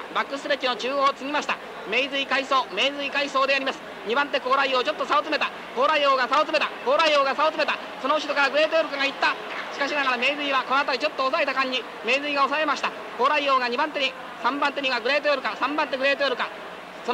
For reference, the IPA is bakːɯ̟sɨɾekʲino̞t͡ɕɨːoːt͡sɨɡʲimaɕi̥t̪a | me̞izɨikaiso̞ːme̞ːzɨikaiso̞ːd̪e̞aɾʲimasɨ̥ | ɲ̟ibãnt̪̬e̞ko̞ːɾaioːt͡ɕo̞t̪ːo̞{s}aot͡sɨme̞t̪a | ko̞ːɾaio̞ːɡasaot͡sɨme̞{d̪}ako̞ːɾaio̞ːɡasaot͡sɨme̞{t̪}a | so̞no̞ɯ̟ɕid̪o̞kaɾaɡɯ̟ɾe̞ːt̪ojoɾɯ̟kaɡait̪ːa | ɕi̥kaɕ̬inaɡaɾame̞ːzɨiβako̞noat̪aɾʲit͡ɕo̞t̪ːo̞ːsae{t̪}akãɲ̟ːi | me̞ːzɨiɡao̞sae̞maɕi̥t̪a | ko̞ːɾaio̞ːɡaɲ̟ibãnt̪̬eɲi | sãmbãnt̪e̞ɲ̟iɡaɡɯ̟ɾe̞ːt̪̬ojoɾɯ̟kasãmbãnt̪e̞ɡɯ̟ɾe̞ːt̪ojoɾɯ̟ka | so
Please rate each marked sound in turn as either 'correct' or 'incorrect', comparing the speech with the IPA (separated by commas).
correct, incorrect, correct, correct